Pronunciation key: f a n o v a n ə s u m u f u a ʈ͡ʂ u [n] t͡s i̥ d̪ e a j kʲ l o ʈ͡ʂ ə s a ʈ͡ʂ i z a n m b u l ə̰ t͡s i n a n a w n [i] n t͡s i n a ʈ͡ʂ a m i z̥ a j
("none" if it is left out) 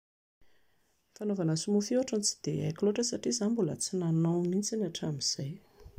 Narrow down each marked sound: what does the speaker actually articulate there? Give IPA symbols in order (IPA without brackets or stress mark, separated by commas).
n, i